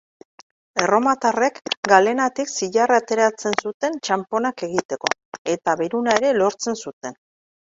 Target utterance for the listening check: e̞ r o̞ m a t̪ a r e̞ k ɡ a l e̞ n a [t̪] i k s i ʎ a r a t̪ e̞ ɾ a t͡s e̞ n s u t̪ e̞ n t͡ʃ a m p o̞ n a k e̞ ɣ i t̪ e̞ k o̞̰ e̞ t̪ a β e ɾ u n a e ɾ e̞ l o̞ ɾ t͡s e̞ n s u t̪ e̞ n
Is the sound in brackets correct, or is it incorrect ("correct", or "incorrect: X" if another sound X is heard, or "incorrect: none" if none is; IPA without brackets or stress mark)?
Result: correct